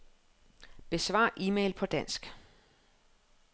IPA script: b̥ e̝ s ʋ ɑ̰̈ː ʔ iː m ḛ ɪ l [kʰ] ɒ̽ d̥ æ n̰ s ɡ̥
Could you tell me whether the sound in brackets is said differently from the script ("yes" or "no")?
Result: yes